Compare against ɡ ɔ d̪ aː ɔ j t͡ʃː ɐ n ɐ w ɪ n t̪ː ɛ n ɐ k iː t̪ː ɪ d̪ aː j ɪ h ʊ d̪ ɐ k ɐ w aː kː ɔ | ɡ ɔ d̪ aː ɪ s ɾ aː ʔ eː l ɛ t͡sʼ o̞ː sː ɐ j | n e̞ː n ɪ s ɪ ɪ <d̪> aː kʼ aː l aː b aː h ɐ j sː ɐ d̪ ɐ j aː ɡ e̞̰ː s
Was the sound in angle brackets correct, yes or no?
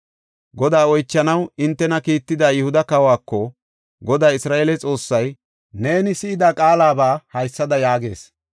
yes